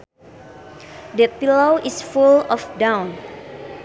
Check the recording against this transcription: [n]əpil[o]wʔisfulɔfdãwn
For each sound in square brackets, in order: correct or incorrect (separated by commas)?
incorrect, correct